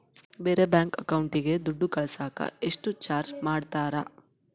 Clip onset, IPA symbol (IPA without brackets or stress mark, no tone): b